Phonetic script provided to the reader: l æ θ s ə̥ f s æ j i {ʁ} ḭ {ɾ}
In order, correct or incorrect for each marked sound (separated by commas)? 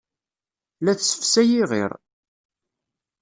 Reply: correct, correct